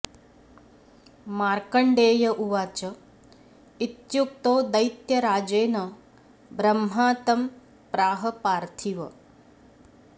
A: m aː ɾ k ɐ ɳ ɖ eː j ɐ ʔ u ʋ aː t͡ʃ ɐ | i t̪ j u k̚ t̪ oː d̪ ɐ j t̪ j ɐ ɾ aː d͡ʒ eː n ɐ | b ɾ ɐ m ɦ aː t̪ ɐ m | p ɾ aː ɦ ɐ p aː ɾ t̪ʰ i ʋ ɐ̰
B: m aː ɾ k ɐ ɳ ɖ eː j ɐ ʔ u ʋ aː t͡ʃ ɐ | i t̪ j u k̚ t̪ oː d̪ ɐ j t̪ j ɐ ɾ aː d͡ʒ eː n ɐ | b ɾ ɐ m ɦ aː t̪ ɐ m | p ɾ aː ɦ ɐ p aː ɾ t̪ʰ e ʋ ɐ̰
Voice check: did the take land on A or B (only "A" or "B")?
A